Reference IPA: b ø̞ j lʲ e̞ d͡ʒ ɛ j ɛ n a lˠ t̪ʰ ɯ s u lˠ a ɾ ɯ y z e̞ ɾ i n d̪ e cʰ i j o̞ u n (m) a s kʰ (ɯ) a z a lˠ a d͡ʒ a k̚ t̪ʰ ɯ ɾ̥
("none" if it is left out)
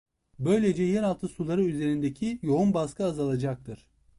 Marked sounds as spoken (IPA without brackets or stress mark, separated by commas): b, ɯ